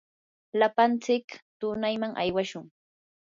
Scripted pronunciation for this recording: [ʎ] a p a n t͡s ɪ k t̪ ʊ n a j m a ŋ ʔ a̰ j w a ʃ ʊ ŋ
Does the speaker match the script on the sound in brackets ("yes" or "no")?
no